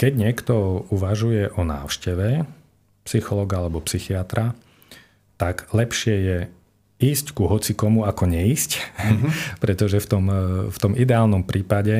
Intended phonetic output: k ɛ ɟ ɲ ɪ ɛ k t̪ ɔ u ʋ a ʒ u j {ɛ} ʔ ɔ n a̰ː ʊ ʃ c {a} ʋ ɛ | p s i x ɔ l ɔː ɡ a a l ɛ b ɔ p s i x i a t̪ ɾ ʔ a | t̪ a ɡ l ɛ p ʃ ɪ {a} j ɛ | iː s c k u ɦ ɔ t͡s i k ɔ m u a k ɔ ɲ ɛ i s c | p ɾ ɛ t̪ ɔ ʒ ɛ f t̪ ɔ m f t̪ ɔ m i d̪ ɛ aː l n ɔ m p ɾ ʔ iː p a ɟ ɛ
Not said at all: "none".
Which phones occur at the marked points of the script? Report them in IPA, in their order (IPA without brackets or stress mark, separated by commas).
ɛ, ɛ, ɛ